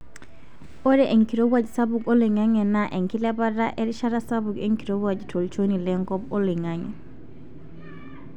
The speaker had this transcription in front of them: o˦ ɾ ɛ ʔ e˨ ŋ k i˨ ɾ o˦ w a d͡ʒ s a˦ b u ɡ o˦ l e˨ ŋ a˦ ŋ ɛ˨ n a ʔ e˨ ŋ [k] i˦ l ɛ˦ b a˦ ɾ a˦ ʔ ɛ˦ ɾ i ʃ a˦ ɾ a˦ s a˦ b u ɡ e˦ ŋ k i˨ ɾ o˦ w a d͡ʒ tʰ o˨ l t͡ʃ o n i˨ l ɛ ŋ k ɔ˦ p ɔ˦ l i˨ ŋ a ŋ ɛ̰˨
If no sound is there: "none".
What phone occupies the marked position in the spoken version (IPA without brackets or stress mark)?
k